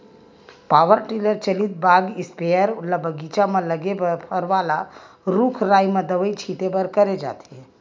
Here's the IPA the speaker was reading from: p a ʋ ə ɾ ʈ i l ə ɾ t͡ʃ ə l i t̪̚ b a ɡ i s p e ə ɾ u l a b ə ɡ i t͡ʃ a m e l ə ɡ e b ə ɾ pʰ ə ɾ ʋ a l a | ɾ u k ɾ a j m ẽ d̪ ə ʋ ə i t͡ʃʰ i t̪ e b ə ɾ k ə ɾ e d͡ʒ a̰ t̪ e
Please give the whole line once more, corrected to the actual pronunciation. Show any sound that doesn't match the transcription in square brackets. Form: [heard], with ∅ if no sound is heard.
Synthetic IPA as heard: p a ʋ ə ɾ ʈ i l ə ɾ t͡ʃ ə l i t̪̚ b a ɡ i s p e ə ɾ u l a b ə ɡ i t͡ʃ a m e l ə ɡ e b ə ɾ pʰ ə ɾ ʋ a l a | ɾ u [kʰ] ɾ a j m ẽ d̪ ə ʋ ə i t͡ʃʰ i t̪ e b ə ɾ k ə ɾ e d͡ʒ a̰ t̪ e